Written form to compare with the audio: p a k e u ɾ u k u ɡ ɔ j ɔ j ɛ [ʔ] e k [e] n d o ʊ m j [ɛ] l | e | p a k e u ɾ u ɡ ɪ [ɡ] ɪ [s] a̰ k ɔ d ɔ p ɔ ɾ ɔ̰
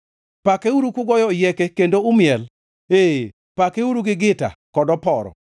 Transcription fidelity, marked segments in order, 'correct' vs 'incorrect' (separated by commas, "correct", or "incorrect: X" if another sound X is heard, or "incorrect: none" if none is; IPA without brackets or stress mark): incorrect: k, correct, correct, correct, incorrect: t